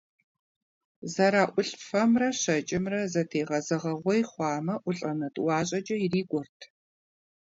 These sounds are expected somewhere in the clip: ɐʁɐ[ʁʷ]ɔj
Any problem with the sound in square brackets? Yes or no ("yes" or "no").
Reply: no